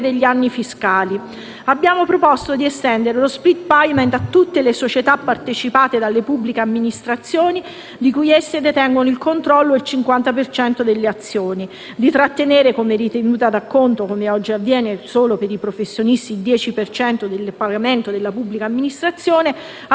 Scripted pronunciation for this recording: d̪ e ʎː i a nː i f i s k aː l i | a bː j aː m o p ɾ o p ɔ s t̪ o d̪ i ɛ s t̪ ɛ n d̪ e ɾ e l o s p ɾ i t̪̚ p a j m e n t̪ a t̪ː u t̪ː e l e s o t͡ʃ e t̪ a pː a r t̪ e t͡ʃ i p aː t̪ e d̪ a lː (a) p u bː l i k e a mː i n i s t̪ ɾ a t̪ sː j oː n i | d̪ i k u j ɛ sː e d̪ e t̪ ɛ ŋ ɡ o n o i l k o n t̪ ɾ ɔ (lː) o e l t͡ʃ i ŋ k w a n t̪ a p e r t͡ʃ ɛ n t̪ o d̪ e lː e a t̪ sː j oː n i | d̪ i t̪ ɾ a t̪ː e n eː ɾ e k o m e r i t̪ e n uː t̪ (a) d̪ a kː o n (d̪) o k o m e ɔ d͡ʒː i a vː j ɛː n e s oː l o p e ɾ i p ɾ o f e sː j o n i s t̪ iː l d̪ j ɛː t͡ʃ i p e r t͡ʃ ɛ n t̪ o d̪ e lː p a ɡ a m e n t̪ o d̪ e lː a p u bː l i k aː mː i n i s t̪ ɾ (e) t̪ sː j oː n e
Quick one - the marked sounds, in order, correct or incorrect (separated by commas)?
incorrect, correct, correct, incorrect, incorrect